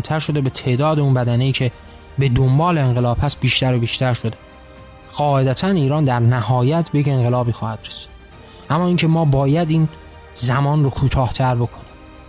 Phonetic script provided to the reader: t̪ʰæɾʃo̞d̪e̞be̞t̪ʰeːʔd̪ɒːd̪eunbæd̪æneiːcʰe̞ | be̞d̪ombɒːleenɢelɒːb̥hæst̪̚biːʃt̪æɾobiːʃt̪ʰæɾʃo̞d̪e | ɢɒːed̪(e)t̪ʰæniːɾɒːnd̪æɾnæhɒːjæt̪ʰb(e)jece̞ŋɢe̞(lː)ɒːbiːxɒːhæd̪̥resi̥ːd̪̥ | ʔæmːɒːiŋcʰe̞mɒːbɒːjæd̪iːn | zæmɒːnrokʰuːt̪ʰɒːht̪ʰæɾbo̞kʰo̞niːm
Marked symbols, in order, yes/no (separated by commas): no, yes, no